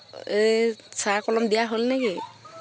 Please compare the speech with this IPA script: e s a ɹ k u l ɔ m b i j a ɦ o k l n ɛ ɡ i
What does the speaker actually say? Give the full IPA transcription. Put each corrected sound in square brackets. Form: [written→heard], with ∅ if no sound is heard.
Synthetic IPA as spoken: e s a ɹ k [u→ɔ] l ɔ m [b→d] i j a ɦ o [k→∅] l n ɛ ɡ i

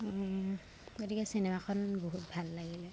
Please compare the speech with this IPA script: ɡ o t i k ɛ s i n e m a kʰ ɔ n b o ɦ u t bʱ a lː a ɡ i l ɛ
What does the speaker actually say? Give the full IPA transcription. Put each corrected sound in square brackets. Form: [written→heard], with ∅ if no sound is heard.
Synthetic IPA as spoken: ɡ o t i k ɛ s i n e m a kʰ ɔ n b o ɦ u t bʱ a lː a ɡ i l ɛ

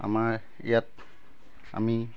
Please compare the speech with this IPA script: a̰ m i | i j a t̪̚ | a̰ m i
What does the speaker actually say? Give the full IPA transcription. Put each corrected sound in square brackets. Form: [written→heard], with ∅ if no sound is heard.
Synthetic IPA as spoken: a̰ m [i→a] | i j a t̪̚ | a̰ m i

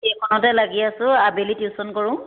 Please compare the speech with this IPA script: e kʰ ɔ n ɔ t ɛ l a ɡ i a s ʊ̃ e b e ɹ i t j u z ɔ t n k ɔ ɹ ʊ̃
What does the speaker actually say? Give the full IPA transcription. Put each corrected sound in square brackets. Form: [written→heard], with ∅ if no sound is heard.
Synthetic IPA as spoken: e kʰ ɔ n ɔ t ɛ l a ɡ i a s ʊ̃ [e→a] b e [ɹ→l] i t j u [z→s] ɔ [t→∅] n k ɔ ɹ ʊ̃

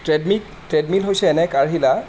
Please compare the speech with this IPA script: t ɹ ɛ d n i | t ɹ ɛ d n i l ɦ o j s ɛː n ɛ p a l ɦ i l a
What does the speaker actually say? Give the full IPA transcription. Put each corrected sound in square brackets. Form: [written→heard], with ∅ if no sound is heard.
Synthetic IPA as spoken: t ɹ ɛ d [n→m] i | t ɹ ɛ d [n→m] i l ɦ o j s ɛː n ɛ [p→k] a [l→ɹ] ɦ i l a

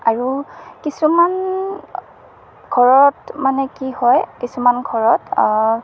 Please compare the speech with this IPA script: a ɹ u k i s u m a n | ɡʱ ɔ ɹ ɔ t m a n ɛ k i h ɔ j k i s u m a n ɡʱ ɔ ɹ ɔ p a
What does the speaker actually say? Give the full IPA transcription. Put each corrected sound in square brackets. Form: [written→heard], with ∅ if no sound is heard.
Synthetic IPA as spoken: a ɹ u k i s u m a n | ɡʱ ɔ ɹ ɔ t m a n ɛ k i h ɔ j k i s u m a n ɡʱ ɔ ɹ ɔ [p→t] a

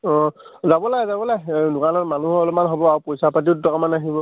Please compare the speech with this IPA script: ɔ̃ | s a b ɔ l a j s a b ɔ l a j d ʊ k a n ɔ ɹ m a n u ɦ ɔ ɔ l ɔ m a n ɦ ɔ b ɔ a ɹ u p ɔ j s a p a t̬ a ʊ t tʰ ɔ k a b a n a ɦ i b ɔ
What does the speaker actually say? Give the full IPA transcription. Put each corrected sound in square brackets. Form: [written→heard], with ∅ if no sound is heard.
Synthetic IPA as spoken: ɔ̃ | [s→z] a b ɔ l a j [s→z] a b ɔ l a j d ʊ k a n ɔ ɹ m a n u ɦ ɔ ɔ l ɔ m a n ɦ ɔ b ɔ a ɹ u p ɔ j s a p a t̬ [a→i] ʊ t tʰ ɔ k a [b→m] a n a ɦ i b ɔ

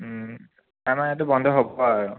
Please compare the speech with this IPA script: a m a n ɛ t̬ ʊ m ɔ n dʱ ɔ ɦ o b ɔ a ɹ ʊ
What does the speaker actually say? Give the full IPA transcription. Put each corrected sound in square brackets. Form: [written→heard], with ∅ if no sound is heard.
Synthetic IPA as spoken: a m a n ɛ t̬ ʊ [m→b] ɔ n dʱ ɔ ɦ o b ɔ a ɹ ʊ

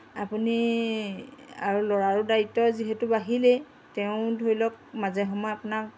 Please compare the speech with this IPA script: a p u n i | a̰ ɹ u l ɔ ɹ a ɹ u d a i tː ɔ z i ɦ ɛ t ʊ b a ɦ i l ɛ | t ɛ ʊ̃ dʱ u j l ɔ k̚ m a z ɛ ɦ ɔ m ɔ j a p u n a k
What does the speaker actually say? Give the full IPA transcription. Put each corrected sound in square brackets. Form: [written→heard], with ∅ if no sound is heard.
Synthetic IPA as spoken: a p u n i | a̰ ɹ u l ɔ ɹ a ɹ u d a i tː ɔ z i ɦ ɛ t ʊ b a ɦ i l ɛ | t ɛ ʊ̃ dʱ [u→o] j l ɔ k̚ m a z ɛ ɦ ɔ m ɔ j a p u n a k

